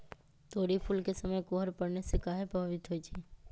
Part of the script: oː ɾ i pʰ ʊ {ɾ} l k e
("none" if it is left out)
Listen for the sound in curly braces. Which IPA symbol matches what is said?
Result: none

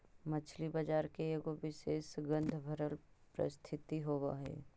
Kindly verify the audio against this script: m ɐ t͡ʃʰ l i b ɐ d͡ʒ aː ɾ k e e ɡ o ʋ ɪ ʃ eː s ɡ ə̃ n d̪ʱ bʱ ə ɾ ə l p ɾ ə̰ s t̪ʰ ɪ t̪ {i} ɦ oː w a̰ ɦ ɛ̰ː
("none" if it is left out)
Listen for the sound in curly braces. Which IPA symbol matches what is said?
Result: i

